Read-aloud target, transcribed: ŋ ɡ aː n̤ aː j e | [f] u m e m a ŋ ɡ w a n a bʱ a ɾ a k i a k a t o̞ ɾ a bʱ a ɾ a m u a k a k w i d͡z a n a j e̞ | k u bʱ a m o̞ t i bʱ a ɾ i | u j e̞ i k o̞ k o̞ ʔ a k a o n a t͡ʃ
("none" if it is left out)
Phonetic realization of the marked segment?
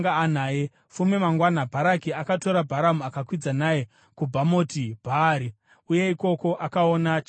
f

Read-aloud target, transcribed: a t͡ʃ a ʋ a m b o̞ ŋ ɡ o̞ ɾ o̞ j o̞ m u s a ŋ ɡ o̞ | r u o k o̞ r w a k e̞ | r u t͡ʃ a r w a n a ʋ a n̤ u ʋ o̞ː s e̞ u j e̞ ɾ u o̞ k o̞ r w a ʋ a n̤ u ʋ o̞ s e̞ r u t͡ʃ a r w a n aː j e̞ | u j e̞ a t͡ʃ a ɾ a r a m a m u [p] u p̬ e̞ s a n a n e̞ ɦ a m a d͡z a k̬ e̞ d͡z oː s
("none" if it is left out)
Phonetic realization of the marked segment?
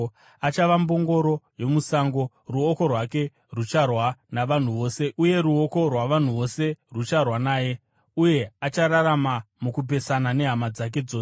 k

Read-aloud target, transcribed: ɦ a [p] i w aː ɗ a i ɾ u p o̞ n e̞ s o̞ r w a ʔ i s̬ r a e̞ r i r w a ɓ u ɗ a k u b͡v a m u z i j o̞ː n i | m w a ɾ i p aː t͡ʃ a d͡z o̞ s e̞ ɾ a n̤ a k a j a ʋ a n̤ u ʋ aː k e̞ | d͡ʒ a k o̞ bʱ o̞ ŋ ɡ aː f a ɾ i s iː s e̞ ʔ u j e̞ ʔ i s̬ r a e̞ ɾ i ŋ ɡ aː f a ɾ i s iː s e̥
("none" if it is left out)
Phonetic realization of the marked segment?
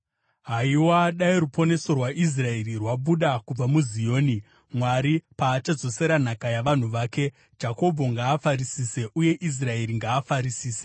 none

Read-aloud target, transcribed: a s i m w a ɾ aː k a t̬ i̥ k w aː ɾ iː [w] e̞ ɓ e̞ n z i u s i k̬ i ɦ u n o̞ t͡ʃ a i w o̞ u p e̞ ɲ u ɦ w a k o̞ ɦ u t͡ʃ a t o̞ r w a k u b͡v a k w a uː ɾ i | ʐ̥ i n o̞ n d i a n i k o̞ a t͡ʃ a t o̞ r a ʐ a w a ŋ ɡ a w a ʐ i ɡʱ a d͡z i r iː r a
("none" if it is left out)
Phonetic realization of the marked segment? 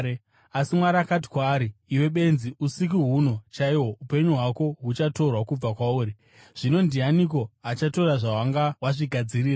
w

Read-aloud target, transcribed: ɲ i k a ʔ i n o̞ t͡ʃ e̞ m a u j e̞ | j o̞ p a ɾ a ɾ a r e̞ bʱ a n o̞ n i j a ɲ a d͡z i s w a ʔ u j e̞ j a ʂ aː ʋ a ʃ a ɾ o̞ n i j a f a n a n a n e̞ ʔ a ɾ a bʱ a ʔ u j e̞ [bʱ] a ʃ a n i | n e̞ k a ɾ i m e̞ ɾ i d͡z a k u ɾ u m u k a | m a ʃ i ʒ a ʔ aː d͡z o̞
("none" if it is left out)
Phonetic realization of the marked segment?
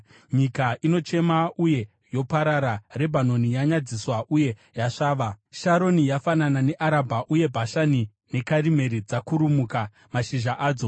bʱ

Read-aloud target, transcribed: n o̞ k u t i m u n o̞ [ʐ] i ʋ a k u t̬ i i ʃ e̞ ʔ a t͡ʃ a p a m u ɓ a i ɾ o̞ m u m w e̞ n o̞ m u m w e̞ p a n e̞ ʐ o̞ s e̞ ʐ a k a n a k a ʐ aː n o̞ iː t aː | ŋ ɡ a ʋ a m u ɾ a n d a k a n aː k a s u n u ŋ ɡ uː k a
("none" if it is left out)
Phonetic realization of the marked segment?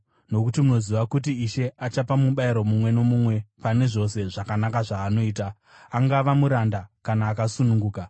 z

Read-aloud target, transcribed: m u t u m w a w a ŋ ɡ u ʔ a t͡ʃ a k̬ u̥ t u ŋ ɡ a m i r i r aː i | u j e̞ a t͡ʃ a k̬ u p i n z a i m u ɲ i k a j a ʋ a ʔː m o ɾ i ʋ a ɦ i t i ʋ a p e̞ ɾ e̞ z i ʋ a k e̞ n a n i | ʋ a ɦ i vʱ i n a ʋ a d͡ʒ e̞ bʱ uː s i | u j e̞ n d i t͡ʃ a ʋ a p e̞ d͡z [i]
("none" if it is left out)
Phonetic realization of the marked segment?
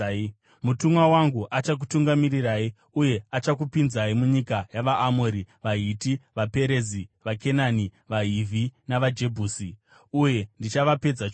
a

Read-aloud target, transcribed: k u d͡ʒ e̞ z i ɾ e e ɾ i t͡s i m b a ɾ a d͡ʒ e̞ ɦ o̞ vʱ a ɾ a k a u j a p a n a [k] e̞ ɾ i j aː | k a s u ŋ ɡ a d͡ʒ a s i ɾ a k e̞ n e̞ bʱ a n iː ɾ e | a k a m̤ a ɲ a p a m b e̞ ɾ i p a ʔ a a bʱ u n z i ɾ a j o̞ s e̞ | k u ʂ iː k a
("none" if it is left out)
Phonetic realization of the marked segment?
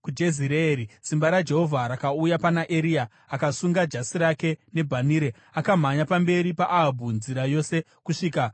ʔ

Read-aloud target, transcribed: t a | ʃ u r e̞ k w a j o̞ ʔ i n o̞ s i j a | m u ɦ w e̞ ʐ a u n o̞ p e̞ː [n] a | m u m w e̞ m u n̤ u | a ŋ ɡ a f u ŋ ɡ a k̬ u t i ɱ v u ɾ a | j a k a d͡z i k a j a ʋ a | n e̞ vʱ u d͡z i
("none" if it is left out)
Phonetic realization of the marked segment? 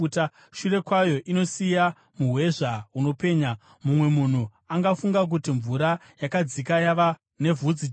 ɲ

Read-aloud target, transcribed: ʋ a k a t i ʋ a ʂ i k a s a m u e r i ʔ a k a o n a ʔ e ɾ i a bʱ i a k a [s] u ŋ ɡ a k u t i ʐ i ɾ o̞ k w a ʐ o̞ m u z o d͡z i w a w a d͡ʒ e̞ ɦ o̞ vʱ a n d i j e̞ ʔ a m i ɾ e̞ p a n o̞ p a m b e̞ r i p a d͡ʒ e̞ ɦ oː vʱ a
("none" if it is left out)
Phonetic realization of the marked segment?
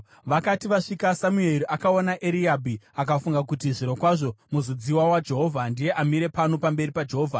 f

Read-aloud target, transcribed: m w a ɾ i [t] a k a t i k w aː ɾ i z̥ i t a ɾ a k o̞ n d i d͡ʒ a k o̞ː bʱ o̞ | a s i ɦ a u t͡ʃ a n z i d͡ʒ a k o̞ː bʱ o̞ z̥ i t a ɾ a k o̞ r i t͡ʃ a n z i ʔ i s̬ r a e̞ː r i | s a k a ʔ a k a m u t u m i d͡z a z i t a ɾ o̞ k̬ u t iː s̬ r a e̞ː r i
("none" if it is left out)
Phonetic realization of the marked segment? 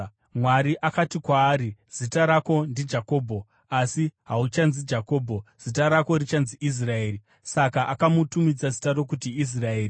ʔ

